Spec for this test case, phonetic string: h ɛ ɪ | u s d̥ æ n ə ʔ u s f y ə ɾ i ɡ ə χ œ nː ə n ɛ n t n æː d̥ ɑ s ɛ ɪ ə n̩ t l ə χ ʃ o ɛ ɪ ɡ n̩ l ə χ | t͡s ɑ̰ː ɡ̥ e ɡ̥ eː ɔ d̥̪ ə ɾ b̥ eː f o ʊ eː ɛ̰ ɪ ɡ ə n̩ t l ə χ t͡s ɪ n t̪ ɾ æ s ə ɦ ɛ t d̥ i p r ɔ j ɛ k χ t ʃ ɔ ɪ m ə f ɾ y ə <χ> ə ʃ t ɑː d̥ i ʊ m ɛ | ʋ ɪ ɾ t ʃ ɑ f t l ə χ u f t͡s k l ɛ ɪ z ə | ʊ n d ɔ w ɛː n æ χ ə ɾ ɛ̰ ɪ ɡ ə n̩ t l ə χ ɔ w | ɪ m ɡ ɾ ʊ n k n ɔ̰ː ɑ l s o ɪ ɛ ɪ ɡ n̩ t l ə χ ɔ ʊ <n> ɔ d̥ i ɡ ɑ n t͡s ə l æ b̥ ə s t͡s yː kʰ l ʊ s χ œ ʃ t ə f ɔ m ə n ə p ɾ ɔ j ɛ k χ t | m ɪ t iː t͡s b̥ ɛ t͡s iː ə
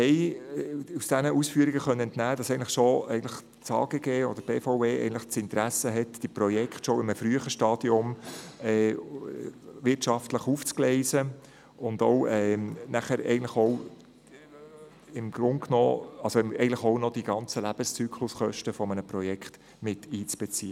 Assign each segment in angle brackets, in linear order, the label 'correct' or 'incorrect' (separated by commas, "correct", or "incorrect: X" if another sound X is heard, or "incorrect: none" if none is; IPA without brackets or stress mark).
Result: correct, correct